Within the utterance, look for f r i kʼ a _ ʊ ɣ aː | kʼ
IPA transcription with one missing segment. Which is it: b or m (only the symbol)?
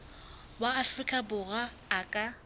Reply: b